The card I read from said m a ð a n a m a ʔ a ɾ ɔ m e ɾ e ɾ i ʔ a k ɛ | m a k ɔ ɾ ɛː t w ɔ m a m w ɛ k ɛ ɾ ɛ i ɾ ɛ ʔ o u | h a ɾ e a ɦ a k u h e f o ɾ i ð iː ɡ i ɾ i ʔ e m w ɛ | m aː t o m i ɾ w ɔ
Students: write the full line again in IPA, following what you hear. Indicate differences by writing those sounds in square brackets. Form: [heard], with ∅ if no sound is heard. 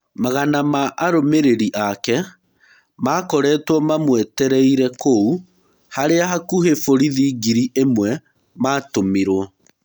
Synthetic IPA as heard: m a [ɣ] a n a m a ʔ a ɾ [o] m e ɾ e ɾ i ʔ a k ɛ | m a k ɔ ɾ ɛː t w ɔ m a m w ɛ [t] ɛ ɾ ɛ i ɾ ɛ [k] o u | h a ɾ e a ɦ a k u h e f o ɾ i ð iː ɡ i ɾ i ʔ e m w ɛ | m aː t o m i ɾ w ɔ